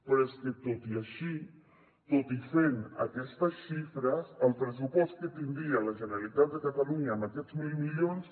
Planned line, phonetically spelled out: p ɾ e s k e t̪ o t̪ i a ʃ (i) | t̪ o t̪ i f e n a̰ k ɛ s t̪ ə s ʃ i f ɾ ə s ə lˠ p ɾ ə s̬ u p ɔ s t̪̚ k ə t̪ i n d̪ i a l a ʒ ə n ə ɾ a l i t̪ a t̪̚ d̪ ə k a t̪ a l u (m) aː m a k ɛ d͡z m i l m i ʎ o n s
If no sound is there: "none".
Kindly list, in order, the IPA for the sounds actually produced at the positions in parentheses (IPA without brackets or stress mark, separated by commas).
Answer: i, ɲ